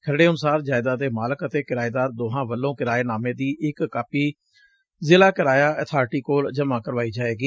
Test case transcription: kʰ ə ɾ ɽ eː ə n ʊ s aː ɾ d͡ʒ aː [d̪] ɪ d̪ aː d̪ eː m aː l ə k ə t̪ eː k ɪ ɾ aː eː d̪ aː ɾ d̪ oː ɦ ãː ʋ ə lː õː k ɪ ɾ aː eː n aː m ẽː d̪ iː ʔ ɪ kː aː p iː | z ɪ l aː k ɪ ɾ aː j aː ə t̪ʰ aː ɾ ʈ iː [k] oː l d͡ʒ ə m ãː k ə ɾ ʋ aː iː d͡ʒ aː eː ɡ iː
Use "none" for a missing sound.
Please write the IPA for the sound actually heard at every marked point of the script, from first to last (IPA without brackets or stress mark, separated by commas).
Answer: none, k